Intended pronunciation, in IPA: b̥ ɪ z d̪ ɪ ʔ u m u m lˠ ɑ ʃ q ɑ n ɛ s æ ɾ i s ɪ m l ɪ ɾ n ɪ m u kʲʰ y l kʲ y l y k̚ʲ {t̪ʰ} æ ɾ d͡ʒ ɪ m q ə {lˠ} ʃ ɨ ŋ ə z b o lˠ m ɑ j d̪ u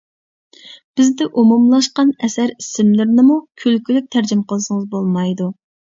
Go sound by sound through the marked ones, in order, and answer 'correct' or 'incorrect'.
correct, correct

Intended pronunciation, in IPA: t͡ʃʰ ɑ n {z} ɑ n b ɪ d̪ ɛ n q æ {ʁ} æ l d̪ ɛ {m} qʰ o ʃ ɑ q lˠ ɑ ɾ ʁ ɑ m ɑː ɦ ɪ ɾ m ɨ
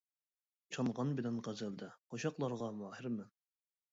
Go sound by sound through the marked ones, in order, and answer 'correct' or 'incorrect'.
incorrect: ʁ, incorrect: z, incorrect: none

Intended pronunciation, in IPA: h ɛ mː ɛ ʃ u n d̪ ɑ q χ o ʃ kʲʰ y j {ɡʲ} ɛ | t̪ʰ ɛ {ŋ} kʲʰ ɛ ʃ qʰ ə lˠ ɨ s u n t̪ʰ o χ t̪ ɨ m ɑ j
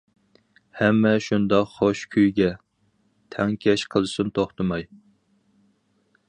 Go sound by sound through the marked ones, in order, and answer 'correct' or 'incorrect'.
correct, correct

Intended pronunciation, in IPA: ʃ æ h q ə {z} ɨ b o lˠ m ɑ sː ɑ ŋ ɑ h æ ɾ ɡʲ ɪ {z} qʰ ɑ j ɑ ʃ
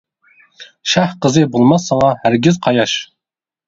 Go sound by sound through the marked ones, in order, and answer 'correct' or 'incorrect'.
correct, correct

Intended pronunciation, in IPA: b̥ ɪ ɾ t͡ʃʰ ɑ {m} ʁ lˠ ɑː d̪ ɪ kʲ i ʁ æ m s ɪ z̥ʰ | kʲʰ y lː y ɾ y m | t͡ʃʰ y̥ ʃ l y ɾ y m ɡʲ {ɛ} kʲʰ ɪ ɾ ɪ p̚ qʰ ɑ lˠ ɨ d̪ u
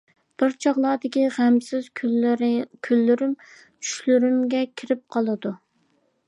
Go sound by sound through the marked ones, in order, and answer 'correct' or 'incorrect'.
incorrect: none, correct

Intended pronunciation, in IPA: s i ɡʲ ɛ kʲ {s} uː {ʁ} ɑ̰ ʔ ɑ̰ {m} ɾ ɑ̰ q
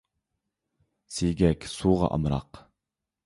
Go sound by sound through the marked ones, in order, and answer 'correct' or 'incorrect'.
correct, correct, correct

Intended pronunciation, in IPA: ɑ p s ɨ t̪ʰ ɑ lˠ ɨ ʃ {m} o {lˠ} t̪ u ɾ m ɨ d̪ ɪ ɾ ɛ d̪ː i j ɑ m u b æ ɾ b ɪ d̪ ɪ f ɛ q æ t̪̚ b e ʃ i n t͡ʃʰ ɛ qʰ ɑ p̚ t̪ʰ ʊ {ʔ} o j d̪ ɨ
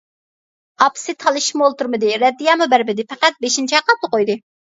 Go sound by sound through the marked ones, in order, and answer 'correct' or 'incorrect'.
correct, correct, incorrect: q

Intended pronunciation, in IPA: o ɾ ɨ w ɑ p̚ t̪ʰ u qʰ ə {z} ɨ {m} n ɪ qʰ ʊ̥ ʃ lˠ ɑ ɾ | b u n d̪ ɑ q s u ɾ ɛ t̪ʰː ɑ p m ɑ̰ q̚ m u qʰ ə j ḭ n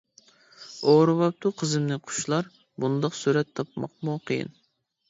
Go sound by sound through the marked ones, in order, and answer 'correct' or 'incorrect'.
correct, correct

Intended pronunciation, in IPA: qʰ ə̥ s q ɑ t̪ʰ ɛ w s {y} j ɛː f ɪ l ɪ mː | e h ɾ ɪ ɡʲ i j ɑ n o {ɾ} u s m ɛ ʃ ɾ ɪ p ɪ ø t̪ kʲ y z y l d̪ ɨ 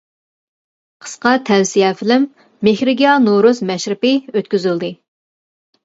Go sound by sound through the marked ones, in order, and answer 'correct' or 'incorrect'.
incorrect: i, correct

